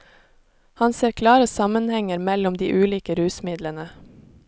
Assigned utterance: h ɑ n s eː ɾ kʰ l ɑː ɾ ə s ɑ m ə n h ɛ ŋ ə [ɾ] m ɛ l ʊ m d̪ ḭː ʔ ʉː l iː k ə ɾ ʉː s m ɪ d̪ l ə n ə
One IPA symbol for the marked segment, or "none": ɾ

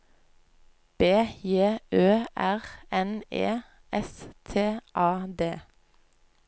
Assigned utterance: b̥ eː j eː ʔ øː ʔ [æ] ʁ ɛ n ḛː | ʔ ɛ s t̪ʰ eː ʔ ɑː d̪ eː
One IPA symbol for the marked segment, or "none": æ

